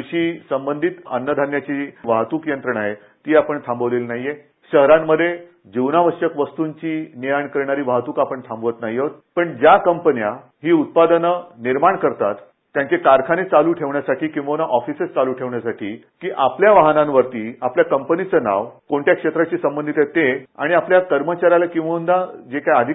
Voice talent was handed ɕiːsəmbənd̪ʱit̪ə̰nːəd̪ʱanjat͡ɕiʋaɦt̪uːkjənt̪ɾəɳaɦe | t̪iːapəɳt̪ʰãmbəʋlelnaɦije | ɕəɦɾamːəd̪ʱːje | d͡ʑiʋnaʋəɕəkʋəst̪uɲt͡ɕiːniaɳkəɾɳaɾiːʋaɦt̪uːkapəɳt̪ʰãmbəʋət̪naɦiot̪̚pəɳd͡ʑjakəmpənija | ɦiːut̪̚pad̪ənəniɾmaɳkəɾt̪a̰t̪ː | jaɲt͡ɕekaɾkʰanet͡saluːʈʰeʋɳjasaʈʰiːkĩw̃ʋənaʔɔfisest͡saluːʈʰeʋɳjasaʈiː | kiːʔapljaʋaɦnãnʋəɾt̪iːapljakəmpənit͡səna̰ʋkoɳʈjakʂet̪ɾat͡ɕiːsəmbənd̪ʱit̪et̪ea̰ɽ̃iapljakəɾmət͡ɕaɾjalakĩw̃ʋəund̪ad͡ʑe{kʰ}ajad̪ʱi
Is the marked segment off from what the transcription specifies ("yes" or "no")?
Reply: yes